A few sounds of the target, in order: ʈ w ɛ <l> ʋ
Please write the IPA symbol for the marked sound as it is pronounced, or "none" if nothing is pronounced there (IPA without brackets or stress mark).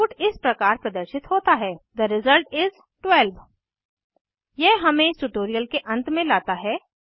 l